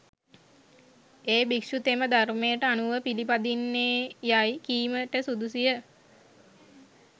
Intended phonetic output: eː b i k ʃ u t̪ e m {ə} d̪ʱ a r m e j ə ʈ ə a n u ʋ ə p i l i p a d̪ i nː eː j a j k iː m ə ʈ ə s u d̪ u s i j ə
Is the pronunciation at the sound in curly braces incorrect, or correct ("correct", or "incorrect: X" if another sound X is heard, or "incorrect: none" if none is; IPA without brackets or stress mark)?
correct